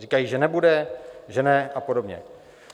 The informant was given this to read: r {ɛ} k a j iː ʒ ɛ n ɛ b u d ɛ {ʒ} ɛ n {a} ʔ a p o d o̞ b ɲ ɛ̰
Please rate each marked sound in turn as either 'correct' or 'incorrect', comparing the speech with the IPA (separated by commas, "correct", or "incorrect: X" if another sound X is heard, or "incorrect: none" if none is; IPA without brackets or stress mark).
incorrect: i, correct, incorrect: ɛ